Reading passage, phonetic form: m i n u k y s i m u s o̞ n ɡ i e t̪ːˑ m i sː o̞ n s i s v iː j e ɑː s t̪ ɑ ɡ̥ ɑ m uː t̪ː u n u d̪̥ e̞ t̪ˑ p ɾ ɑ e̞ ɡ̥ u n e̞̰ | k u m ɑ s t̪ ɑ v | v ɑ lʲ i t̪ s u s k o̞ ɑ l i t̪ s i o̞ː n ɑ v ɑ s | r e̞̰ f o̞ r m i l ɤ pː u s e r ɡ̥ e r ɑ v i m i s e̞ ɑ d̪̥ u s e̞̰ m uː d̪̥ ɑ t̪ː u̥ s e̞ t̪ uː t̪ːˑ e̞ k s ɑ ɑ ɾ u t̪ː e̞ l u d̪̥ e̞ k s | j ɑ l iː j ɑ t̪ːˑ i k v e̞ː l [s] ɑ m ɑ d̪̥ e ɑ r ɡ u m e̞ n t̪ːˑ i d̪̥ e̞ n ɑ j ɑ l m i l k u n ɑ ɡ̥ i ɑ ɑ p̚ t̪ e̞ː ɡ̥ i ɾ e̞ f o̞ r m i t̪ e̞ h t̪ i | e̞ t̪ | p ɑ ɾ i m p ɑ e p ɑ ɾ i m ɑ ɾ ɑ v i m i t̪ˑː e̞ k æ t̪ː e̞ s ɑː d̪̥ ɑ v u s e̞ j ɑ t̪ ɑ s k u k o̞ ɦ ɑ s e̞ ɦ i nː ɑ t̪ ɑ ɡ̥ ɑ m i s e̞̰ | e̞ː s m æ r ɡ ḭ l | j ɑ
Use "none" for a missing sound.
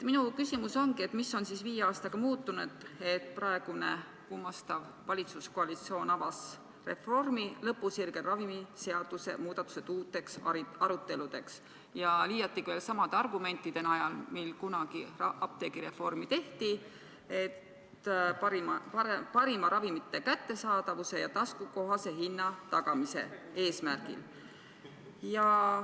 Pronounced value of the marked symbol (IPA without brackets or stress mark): s